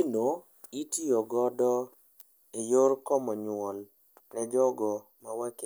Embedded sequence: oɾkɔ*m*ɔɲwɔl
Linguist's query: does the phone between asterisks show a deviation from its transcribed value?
no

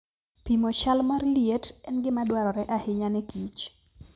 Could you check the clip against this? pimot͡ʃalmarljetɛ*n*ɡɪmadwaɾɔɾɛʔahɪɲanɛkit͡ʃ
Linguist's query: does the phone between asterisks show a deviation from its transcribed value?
no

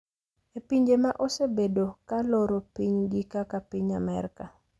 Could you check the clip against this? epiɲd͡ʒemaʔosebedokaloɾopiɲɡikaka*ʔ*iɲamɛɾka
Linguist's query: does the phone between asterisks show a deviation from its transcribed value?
yes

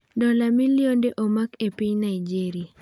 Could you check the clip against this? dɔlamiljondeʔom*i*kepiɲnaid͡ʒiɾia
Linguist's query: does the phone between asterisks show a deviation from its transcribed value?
yes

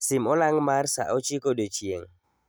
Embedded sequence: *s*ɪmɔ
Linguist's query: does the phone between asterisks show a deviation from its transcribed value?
no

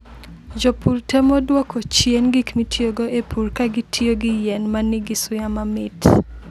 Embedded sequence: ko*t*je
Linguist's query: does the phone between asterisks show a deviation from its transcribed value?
yes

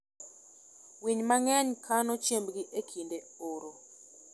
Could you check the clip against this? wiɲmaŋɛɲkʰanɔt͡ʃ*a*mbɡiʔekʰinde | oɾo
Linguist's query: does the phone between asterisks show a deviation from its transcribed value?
yes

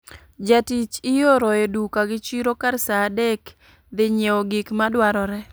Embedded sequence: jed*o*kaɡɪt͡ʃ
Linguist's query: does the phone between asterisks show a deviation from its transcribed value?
yes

